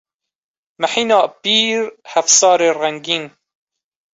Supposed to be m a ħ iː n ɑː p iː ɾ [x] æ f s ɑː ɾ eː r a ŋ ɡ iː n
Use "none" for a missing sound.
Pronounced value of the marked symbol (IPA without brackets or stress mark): h